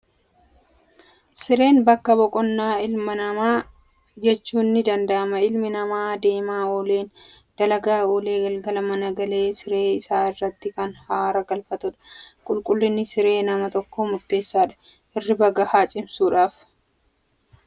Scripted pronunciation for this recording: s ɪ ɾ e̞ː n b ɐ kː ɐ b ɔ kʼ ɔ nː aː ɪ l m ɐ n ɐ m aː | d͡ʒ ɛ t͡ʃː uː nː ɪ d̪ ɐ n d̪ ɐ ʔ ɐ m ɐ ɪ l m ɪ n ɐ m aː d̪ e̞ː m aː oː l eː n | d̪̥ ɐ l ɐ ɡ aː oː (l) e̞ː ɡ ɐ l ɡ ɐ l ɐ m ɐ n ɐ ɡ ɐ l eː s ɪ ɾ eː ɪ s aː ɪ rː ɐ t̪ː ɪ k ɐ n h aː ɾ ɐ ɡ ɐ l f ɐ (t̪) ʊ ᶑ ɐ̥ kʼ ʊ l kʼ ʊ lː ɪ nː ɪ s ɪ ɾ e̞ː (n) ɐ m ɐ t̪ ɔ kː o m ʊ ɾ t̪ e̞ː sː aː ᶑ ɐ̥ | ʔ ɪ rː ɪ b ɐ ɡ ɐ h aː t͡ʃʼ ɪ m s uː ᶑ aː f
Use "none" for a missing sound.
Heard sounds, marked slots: l, t̪, n

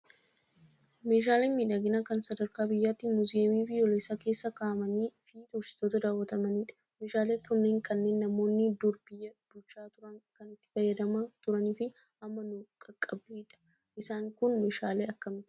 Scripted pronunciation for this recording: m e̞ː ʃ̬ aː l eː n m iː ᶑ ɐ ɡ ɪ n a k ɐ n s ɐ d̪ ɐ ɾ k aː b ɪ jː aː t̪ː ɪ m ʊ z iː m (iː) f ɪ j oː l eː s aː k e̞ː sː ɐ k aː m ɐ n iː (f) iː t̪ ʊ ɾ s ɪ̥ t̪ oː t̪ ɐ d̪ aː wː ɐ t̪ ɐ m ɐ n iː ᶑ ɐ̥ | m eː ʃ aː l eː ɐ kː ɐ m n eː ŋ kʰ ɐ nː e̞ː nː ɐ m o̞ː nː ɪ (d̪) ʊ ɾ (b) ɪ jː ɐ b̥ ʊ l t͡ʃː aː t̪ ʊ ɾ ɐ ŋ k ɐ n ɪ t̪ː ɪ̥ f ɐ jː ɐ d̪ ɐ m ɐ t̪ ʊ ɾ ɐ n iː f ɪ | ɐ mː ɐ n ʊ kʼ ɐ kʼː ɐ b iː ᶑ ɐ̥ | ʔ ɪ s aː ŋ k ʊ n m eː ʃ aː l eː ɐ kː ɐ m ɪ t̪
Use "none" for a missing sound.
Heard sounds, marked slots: iː, f, d̪, b

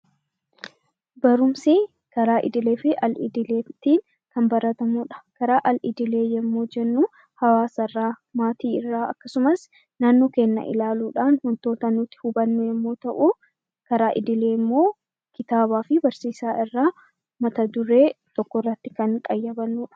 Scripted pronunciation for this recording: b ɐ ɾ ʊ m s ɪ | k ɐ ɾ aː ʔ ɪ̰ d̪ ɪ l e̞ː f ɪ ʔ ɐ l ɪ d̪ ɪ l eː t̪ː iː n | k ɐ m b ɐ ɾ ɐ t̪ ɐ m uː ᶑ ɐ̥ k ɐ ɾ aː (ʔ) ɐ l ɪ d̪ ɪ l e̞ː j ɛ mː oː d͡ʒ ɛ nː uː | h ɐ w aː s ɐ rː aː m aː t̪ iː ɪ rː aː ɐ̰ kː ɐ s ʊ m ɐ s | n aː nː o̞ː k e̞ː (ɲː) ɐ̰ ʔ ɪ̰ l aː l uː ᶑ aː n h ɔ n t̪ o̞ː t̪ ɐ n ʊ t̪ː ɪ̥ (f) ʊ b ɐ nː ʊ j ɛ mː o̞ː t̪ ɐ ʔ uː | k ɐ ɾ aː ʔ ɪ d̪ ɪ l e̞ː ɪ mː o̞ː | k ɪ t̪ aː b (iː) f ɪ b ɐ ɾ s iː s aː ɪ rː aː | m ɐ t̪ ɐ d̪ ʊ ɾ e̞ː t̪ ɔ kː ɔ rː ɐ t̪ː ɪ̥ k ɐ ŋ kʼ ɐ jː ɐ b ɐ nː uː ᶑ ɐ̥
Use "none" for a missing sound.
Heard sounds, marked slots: ʔ, nː, h, aː

